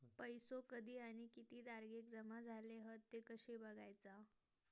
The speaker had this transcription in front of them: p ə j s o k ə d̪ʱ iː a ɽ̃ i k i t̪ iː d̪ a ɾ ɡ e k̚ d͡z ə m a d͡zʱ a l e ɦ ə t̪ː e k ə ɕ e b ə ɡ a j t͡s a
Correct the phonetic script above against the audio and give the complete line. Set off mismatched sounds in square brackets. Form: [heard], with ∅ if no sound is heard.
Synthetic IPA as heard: p ə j s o k ə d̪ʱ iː a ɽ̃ i k i t̪ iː d̪ a ɾ ɡ e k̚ d͡z ə m a d͡zʱ a l e ɦ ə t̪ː e k ə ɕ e b ə ɡ a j t͡s a